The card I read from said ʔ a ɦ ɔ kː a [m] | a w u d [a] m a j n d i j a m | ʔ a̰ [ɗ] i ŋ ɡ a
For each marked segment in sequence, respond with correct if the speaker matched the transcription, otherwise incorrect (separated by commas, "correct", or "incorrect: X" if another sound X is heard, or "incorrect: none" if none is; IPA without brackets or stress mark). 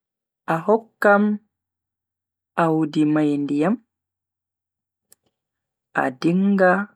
correct, incorrect: i, incorrect: d